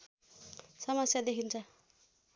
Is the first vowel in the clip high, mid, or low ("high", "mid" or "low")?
mid